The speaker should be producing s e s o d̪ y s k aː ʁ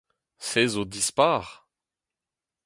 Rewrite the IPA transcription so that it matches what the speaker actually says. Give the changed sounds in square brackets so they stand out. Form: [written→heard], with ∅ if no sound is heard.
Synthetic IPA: s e [s→z] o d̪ [y→i] s [k→p] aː ʁ